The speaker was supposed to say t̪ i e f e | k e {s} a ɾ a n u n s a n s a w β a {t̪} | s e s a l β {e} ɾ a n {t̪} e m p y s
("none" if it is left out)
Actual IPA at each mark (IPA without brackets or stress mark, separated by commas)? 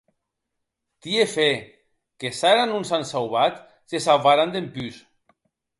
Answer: s, t̪, a, d̪